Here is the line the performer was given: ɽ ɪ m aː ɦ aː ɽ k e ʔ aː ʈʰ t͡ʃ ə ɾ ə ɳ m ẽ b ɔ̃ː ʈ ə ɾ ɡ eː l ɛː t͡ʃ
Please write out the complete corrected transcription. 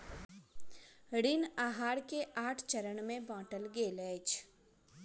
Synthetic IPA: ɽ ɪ n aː ɦ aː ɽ k e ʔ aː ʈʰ t͡ʃ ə ɾ ə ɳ m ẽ b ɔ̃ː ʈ ə l ɡ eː l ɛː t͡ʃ